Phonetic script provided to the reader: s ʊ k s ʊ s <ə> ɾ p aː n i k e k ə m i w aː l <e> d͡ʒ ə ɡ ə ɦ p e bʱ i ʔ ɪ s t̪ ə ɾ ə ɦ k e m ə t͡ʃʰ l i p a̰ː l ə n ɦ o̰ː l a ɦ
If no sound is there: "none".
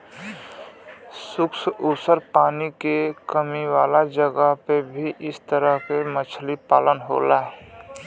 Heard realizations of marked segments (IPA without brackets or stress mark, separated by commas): ə, a